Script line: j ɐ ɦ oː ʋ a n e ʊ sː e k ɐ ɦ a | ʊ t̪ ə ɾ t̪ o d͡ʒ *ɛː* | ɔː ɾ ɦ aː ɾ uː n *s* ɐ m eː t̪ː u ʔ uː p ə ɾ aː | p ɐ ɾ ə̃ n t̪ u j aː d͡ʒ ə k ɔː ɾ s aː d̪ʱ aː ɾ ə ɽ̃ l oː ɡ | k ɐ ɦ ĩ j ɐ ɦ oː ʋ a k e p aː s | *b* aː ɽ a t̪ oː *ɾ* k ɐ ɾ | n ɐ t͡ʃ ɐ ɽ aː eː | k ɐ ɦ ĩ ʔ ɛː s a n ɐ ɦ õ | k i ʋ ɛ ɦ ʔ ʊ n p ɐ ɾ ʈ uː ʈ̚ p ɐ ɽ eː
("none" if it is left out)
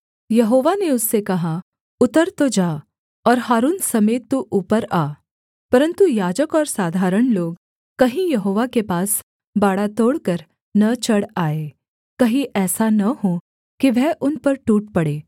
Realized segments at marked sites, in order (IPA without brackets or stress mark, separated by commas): aː, s, b, ɽ